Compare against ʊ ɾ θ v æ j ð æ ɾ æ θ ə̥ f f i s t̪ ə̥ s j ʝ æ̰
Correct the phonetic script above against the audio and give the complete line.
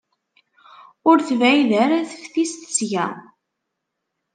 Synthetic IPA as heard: ʊ ɾ θ v æ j ð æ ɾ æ θ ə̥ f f i s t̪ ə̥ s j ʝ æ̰

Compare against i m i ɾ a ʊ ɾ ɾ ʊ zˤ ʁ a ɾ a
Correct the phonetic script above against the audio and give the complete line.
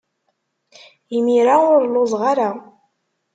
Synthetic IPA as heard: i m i ɾ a ʊ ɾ l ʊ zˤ ʁ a ɾ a

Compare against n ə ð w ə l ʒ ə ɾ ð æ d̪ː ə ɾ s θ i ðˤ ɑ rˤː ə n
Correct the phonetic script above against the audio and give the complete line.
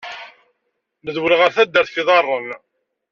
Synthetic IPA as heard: n ə ð w ə l ʁ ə ɾ θ æ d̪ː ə ɾ θ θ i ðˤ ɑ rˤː ə n

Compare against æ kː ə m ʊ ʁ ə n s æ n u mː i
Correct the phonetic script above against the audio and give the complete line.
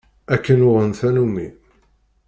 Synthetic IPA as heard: æ kː ə n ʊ ʁ ə n θ æ n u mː i

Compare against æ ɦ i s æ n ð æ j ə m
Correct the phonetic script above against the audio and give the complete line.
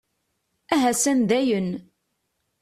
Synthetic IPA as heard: æ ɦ æ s æ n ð æ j ə n

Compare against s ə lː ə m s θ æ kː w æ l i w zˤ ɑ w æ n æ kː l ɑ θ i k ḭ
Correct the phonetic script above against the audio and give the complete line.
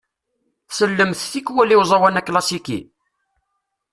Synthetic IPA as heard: s ə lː ə m θ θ i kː w æ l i w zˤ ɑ w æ n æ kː l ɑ s i k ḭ

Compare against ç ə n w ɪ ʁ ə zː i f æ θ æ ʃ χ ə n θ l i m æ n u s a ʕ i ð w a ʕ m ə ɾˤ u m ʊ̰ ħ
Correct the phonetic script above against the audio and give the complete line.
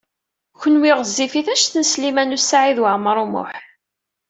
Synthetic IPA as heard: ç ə n w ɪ ʁ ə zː i f i θ æ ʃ θ ə n s l i m æ n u s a ʕ i ð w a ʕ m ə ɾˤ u m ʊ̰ ħ

